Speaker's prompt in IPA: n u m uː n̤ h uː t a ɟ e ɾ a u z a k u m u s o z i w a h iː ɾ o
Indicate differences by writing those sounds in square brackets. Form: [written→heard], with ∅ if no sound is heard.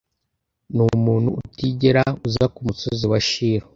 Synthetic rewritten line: n u m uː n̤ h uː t [a→i] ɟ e ɾ a u z a k u m u s o z i w a [h→ʃ] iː ɾ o